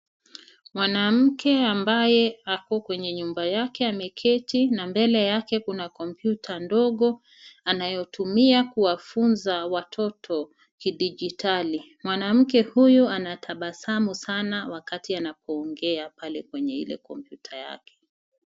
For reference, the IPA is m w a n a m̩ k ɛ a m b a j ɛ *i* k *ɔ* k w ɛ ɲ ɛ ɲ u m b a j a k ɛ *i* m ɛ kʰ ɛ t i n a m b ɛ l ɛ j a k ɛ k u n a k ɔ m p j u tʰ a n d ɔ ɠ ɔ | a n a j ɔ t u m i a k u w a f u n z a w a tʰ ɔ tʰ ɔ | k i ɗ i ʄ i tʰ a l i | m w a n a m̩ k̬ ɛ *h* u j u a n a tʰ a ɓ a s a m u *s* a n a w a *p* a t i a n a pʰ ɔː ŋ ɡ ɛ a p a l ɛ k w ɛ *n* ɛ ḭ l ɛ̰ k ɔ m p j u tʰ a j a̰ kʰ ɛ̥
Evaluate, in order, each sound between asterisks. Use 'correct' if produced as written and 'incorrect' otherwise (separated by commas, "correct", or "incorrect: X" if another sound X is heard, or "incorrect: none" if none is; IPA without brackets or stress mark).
incorrect: a, correct, incorrect: a, correct, correct, incorrect: k, incorrect: ɲ